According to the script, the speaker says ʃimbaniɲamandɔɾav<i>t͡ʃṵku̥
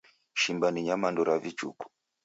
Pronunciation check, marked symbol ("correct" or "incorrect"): correct